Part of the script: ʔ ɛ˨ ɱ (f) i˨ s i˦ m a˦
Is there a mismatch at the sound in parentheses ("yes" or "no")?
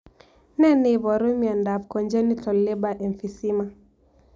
no